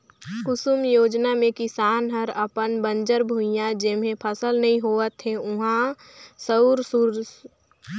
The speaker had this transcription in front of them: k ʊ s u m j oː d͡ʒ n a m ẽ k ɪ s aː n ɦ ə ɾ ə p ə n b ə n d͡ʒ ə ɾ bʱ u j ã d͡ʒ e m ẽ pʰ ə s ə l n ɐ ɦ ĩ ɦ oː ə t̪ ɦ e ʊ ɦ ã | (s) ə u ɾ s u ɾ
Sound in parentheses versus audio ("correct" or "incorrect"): correct